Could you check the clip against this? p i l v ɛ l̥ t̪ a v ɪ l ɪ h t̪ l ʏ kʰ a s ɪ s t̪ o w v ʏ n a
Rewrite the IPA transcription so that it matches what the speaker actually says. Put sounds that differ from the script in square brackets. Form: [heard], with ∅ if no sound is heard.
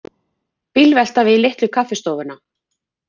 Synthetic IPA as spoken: p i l v ɛ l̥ t̪ a v ɪ l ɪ h t̪ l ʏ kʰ a [f] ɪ s t̪ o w v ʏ n a